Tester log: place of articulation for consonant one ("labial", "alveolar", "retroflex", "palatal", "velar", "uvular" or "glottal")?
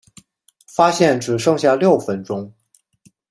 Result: labial